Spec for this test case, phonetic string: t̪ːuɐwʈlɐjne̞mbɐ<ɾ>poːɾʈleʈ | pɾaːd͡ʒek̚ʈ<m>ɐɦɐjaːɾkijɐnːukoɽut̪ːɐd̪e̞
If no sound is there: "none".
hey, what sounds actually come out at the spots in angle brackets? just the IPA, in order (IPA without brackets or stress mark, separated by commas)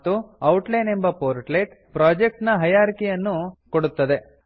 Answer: none, n